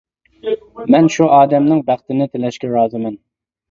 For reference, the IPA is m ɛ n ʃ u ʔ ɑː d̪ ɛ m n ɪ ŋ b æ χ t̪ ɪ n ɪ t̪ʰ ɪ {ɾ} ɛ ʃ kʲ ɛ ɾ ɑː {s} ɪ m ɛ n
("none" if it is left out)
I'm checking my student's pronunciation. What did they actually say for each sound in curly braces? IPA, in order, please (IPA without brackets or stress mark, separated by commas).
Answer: l, z